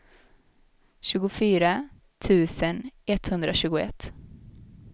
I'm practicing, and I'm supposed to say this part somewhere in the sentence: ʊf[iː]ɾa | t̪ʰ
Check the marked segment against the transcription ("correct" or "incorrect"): incorrect